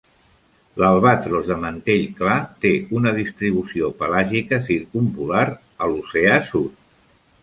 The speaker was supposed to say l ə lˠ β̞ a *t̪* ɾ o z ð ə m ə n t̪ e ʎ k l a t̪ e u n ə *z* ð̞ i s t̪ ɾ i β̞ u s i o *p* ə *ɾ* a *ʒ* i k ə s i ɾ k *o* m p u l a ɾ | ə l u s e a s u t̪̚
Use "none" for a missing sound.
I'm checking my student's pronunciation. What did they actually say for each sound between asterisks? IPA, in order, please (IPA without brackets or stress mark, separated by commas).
t̪, none, p, l, ʒ, u